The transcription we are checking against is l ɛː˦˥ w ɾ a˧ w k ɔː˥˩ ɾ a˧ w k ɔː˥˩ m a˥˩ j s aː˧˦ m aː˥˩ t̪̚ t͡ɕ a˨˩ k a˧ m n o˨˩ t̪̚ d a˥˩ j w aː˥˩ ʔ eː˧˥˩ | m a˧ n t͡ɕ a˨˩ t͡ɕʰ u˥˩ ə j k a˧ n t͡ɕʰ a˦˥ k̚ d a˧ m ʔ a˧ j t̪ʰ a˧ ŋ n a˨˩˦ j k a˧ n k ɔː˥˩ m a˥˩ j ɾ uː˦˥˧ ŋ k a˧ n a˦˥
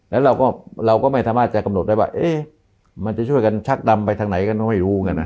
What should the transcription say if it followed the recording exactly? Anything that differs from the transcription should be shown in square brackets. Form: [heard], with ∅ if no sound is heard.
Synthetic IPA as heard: l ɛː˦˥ w ɾ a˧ w k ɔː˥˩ ɾ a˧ w k ɔː˥˩ m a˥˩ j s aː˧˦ m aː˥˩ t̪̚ t͡ɕ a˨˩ k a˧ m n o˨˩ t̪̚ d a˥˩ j w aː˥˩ ʔ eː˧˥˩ | m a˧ n t͡ɕ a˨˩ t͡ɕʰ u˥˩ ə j k a˧ n t͡ɕʰ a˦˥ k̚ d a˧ m [p] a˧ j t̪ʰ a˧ ŋ n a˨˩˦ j k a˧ n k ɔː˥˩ m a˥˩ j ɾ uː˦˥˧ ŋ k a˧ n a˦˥